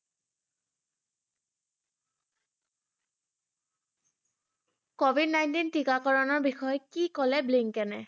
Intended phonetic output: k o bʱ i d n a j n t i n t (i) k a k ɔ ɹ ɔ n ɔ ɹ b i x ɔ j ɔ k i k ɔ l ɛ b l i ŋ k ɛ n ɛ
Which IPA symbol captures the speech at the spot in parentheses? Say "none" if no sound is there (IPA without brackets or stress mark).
i